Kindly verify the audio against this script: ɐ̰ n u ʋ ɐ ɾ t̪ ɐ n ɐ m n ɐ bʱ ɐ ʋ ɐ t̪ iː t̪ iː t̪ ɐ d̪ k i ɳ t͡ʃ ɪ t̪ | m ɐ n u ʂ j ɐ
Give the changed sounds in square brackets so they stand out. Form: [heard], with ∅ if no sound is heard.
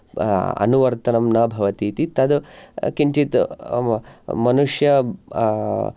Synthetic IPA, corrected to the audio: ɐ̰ n u ʋ ɐ ɾ t̪ ɐ n ɐ m n ɐ bʱ ɐ ʋ ɐ t̪ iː t̪ [i] t̪ ɐ d̪ k i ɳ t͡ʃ [i] t̪ | m ɐ n u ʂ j ɐ